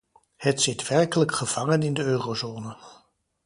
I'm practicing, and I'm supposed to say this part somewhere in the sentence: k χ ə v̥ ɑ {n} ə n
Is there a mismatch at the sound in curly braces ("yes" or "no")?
yes